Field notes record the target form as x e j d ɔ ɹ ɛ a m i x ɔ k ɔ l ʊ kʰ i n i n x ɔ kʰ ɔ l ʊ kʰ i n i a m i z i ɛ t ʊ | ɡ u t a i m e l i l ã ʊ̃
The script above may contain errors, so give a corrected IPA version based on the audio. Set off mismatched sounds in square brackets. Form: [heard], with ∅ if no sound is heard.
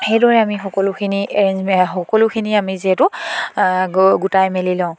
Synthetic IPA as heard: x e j d ɔ ɹ ɛ a m i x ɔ k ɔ l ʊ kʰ i n i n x ɔ [k] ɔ l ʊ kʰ i n i a m i z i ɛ t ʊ | ɡ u t a [j] m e l i l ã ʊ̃